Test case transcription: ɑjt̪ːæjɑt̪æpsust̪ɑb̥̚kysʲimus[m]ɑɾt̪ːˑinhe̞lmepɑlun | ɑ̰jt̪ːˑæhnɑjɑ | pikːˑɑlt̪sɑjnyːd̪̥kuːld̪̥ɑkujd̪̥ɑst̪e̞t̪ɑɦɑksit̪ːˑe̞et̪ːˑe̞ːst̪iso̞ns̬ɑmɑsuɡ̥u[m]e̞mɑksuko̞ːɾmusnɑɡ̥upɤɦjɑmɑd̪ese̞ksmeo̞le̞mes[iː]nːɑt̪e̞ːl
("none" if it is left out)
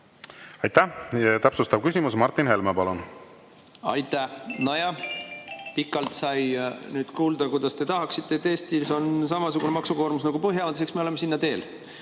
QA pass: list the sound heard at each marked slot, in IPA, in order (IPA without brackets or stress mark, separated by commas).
m, n, i